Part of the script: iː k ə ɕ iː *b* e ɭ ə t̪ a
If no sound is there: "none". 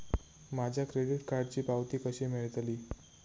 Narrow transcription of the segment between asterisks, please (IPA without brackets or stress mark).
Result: m